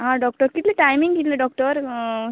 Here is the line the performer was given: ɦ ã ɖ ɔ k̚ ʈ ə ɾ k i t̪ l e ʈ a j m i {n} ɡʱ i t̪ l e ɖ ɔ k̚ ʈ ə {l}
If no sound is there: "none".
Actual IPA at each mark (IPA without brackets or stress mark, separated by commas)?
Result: ŋ, ɾ